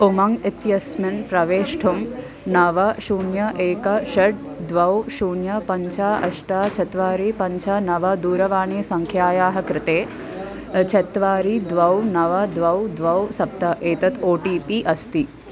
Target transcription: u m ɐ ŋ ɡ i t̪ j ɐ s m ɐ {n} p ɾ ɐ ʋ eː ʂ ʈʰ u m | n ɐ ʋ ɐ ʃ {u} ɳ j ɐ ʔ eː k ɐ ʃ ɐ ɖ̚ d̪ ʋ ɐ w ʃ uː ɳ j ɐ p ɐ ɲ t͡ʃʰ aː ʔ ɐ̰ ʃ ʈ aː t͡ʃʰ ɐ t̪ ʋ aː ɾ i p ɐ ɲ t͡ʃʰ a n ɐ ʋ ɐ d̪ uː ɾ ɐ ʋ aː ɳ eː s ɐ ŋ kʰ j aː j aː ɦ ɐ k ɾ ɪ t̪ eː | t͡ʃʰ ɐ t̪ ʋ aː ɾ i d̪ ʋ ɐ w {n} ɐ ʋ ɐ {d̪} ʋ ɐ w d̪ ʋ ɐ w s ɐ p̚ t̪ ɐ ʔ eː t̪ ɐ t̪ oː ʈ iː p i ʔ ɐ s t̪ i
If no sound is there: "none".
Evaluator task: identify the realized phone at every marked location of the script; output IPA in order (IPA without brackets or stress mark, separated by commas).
n, uː, n, d̪